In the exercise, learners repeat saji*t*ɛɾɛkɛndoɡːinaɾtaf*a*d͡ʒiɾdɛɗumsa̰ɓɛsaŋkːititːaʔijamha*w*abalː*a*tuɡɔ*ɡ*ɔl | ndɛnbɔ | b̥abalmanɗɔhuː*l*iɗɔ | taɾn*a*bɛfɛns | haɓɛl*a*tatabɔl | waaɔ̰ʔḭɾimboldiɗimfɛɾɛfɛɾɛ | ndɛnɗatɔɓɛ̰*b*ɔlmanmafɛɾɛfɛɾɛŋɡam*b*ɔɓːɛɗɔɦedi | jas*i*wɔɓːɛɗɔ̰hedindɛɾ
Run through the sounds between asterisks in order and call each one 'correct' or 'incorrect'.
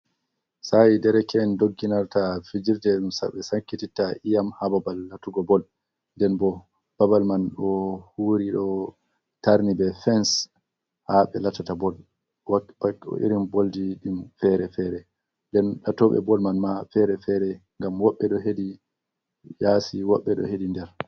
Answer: incorrect: d, incorrect: i, incorrect: b, correct, incorrect: b, incorrect: ɾ, incorrect: i, correct, correct, incorrect: w, correct

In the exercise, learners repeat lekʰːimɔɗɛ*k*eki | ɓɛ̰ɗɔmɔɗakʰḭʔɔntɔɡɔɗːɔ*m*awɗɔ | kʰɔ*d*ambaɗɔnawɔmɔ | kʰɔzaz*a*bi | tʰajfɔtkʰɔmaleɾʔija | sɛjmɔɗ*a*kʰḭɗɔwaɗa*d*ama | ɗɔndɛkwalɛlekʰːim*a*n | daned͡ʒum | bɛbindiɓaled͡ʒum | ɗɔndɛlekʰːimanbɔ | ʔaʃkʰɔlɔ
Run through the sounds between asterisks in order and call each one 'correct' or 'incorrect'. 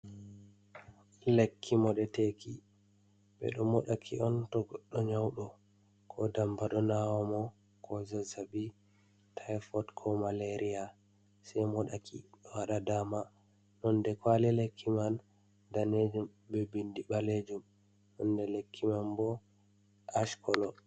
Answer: incorrect: t, incorrect: ɲ, correct, correct, correct, correct, correct

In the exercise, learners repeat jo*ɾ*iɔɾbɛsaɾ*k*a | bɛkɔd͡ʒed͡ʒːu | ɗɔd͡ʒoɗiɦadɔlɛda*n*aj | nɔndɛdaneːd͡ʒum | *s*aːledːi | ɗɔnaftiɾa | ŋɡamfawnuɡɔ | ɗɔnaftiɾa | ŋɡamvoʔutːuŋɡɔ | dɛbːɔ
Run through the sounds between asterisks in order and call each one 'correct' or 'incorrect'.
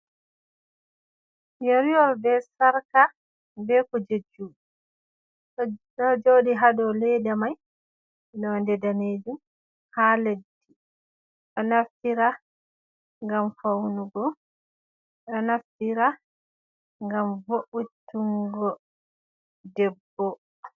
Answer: correct, correct, incorrect: m, incorrect: h

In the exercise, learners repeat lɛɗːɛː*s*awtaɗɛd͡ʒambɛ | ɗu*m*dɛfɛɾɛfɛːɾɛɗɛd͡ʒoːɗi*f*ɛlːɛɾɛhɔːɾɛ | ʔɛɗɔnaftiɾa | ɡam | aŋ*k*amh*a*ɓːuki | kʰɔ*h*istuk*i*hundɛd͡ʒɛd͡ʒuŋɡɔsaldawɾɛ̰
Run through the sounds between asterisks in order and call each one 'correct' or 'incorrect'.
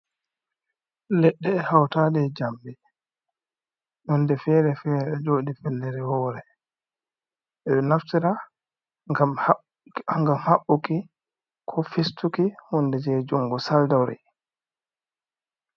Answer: incorrect: h, incorrect: n, correct, incorrect: ɡ, correct, incorrect: f, correct

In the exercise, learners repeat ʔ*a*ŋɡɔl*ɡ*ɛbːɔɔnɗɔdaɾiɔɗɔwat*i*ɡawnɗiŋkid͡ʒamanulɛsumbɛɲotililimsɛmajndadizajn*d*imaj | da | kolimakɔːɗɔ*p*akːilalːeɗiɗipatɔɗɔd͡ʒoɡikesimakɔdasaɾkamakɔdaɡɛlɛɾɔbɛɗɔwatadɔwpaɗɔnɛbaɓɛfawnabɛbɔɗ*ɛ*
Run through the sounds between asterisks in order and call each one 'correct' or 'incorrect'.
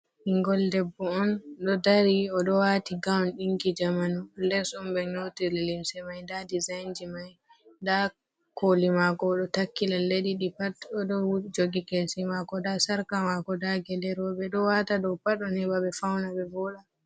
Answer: incorrect: i, incorrect: d, correct, incorrect: d͡ʒ, incorrect: t, incorrect: a

